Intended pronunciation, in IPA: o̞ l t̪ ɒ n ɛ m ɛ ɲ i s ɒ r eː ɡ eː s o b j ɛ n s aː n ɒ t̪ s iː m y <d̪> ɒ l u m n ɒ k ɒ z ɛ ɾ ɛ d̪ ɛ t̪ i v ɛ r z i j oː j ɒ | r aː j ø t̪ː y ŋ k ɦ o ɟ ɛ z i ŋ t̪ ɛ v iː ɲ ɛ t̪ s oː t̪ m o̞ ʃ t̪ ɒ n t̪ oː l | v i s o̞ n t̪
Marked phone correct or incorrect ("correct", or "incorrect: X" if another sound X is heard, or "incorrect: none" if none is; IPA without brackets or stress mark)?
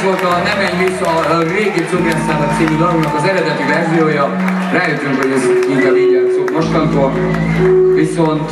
correct